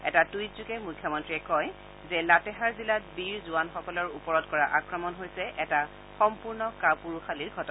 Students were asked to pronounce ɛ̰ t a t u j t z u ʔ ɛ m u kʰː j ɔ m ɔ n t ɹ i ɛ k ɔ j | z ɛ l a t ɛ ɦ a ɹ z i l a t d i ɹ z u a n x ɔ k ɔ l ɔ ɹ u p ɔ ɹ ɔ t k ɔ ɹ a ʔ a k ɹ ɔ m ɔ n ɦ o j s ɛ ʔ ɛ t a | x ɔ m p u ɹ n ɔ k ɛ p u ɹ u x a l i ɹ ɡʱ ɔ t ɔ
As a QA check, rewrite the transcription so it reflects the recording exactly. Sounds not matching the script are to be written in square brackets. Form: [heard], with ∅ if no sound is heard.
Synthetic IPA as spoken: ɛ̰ t a t u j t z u [k] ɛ m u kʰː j ɔ m ɔ n t ɹ i ɛ k ɔ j | z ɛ l a t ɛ ɦ a ɹ z i l a t [b] i ɹ z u a n x ɔ k ɔ l ɔ ɹ u p ɔ ɹ ɔ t k ɔ ɹ a ʔ a k ɹ ɔ m ɔ n ɦ o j s ɛ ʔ ɛ t a | x ɔ m p u ɹ n ɔ k [a] p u ɹ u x a l i ɹ ɡʱ ɔ t ɔ